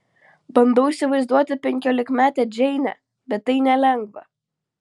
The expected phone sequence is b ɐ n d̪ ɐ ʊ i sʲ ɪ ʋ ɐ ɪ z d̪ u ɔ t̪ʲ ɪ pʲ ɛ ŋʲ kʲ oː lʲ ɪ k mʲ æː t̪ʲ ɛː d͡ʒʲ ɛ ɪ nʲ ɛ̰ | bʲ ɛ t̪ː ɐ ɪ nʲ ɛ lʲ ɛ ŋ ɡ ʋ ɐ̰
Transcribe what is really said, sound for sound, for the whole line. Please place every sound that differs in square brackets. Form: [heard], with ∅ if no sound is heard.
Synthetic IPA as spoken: b ɐ n d̪ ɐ ʊ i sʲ ɪ ʋ ɐ ɪ z d̪ u ɔ t̪ʲ ɪ pʲ ɛ ŋʲ kʲ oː lʲ ɪ k mʲ æː t̪ʲ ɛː d͡ʒʲ ɛ ɪ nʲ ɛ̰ | bʲ ɛ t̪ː ɐ ɪ nʲ ɛ lʲ ɛ ŋ ɡ ʋ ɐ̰